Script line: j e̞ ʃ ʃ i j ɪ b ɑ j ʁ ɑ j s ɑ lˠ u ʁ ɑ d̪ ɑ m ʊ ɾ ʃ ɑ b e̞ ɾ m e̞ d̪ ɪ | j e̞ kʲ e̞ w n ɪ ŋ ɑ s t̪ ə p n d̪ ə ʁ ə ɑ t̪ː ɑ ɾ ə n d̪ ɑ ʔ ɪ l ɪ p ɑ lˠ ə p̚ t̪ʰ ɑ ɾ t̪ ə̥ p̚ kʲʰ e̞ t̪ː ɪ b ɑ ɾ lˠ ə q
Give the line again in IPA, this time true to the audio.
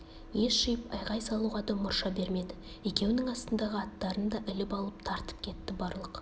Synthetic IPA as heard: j e̞ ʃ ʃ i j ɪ p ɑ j ʁ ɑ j s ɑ lˠ u ʁ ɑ d̪ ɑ m ʊ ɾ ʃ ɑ b e̞ ɾ m e̞ d̪ ɪ | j e̞ kʲ e̞ w n ɪ ŋ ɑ s t̪ ə n d̪ ɑ ʁ ə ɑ t̪ː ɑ ɾ ə n d̪ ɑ ʔ ɪ l ɪ p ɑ lˠ ə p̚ t̪ʰ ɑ ɾ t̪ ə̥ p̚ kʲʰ e̞ t̪ː ɪ b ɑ ɾ lˠ ə q

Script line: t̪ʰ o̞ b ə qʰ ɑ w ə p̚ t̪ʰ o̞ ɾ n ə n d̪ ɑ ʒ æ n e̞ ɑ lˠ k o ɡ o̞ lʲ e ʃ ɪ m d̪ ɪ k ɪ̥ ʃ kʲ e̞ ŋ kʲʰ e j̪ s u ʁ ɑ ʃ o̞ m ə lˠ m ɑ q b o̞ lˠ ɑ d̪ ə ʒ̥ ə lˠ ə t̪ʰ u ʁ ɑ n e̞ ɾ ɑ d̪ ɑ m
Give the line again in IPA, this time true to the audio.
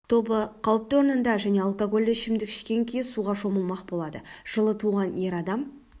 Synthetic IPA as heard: t̪ʰ o̞ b ə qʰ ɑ w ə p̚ t̪ o̞ ɾ n ə n d̪ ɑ ʒ æ n e̞ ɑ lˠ k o ɡ o̞ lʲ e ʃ ɪ m d̪ ɪ k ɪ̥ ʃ kʲ e̞ ŋ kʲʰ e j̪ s u ʁ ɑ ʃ o̞ m ə lˠ m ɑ q b o̞ lˠ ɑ d̪ ə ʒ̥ ə lˠ ə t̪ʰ u ʁ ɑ n e̞ ɾ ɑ d̪ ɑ m

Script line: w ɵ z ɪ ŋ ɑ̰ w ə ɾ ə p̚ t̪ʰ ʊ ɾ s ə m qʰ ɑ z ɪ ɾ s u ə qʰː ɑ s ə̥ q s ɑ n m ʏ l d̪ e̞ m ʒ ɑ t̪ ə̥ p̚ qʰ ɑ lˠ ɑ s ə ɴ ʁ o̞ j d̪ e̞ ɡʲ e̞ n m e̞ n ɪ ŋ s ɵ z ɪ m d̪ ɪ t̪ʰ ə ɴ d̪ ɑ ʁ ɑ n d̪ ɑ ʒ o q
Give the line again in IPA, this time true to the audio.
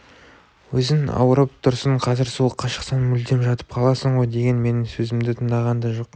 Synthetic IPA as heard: w ɵ z ɪ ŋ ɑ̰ w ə ɾ ə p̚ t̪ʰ ʊ ɾ s ə ɴ qʰ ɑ z ɪ ɾ s u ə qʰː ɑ ʃ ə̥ q s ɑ n m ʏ l d̪ e̞ m ʒ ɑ t̪ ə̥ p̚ qʰ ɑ lˠ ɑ s ə ɴ ʁ o̞ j d̪ e̞ ɡʲ e̞ n m e̞ n ɪ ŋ s ɵ z ɪ m d̪ ɪ t̪ʰ ə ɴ d̪ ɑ ʁ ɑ n d̪ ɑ ʒ o q

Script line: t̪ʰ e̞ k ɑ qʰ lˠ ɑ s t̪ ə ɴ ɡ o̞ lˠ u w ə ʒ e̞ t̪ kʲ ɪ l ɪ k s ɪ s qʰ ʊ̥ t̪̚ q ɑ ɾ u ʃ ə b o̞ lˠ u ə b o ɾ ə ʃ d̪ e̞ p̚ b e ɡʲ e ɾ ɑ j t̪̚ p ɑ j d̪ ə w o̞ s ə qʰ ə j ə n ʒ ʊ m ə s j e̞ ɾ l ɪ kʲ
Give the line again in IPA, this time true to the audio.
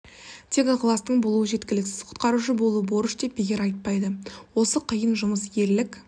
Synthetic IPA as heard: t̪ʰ e̞ k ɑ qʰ lˠ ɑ s t̪ ə ɴ b o̞ lˠ u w ə ʒ e̞ t̪ kʲ ɪ l ɪ k s ɪ z qʰ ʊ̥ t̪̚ q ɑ ɾ u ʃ ə b o̞ lˠ u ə b o ɾ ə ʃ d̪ e̞ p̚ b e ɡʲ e ɾ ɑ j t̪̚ p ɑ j d̪ ə w o̞ s ə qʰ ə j ə n ʒ ʊ m ə s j e̞ ɾ l ɪ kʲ

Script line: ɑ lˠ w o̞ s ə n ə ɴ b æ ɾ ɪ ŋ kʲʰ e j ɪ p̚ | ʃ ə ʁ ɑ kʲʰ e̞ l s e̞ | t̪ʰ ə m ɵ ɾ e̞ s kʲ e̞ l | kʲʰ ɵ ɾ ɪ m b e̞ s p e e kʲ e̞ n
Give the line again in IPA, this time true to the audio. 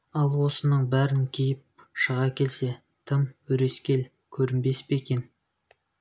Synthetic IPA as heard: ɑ lˠ w o̞ s ə n ə ɴ b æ ɾ ɪ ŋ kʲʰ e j ɪ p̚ | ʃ ə ʁ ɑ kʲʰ e̞ l s e̞ | t̪ʰ ə m ɵ ɾ e̞ s kʲ e̞ l | kʲʰ ɵ ɾ ɪ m b e̞ s p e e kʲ e̞ n

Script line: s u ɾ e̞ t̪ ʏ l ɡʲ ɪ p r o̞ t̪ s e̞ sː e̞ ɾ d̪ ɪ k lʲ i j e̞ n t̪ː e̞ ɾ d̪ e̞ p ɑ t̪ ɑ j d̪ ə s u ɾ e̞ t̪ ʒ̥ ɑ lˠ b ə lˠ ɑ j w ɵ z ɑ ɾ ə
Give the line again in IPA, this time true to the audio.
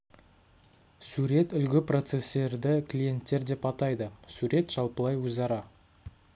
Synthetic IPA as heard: s u ɾ e̞ t̪ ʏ l ɡʲ ɪ p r o̞ t̪ s e̞ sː e̞ ɾ d̪ ɪ k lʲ i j e̞ n t̪ː e̞ ɾ d̪ e̞ p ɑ t̪ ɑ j d̪ ə s u ɾ e̞ t̪ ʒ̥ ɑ lˠ p ə lˠ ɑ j w ɵ z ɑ ɾ ɑ

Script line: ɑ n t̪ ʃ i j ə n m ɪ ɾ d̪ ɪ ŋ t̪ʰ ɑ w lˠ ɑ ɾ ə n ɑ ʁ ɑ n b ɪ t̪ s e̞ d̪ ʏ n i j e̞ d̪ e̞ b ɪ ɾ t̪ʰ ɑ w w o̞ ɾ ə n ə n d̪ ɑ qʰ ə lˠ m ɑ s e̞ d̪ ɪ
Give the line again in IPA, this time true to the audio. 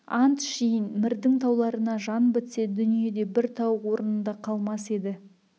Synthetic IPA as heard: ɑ n t̪ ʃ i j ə n m ɪ ɾ d̪ ɪ ŋ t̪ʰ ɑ w lˠ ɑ ɾ ə n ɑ ʒ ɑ n b ɪ t̪ s e̞ d̪ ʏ n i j e̞ d̪ e̞ b ɪ ɾ t̪ʰ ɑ w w o̞ ɾ ə n ə n d̪ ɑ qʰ ɑ lˠ m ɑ s e̞ d̪ ɪ

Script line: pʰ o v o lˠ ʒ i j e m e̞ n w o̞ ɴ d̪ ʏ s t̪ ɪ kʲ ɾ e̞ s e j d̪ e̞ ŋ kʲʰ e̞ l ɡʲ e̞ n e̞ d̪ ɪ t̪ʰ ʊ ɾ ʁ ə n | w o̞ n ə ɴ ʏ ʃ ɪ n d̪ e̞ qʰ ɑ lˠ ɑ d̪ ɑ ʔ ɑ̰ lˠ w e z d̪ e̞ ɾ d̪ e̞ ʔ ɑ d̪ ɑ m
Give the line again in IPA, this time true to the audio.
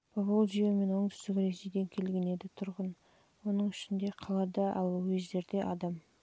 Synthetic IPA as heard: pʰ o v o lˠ ʒ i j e m e̞ n w o̞ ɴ d̪ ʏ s t̪ ɪ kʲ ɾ e̞ s e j d̪ e̞ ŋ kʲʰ e̞ l ɡʲ e̞ n e̞ d̪ ɪ t̪ʰ ʊ ɾ ʁ ə n | w o̞ n ə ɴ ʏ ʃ ɪ n d̪ e̞ qʰ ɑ lˠ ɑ d̪ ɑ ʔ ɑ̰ lˠ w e z d̪ e̞ ɾ d̪ e̞ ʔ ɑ d̪ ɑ m

